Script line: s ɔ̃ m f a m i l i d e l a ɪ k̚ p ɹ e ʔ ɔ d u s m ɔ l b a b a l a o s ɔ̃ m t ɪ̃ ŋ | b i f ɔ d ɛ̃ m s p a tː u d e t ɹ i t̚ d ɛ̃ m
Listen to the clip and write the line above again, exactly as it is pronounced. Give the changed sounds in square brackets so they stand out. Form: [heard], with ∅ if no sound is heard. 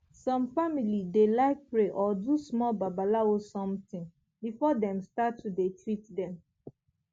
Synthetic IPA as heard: s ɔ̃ m f a m i l i d e l a ɪ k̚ p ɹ e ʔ ɔ d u s m ɔ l b a b a l a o s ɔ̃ m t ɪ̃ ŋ | b i f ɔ d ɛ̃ m s [t] a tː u d e t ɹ i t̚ d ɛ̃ m